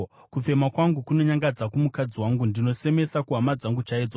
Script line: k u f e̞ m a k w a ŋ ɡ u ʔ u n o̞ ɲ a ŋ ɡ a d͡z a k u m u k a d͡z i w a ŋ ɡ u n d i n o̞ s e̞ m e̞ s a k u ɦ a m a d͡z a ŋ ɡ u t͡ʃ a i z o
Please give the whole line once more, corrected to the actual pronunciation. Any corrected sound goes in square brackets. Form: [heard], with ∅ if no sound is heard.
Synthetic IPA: k u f e̞ m a k w a ŋ ɡ u [k] u n o̞ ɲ a ŋ ɡ a d͡z a k u m u k a d͡z i w a ŋ ɡ u n d i n o̞ s e̞ m e̞ s a k u ɦ a m a d͡z a ŋ ɡ u t͡ʃ a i [d͡z] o